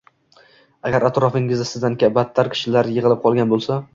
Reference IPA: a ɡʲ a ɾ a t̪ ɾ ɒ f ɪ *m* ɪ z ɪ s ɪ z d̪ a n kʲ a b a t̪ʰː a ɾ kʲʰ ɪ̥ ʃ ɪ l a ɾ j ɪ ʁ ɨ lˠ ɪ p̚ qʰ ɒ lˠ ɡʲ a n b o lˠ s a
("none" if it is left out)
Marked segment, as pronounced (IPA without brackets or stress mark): ŋ